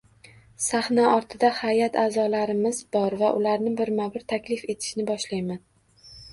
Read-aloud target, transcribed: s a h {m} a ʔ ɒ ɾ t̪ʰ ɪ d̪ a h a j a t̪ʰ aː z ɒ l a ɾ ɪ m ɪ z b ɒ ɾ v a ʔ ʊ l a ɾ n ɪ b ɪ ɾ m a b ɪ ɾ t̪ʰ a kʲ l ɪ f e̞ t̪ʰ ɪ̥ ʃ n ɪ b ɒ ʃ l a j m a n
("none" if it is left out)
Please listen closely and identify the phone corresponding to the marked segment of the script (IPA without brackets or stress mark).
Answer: n